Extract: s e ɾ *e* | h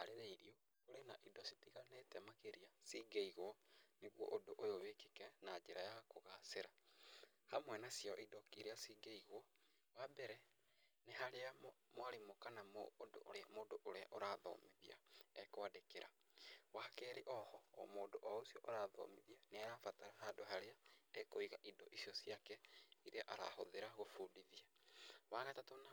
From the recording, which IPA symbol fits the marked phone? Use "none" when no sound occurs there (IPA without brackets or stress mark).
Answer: a